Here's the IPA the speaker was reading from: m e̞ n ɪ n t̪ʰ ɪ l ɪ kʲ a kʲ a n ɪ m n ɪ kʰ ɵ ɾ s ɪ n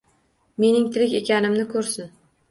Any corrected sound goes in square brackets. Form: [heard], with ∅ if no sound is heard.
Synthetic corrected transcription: m e̞ n ɪ [ŋ] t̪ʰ ɪ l ɪ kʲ [e] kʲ a n ɪ m n ɪ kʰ ɵ ɾ s ɪ n